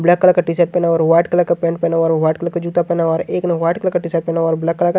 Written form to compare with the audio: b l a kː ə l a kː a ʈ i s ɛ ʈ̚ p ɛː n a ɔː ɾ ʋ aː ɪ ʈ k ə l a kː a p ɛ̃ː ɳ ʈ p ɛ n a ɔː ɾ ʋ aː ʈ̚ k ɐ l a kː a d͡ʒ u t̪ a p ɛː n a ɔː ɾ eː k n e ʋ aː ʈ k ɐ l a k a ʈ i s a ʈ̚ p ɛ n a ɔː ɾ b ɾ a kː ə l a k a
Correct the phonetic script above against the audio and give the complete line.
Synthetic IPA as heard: b l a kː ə l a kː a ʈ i s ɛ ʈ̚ p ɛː n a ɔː ɾ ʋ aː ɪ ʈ k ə l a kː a p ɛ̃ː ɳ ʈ p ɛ n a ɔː ɾ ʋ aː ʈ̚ k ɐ l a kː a d͡ʒ u t̪ a p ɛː n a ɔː ɾ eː k n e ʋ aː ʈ k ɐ l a k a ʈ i s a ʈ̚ p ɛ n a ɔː ɾ b l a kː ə l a k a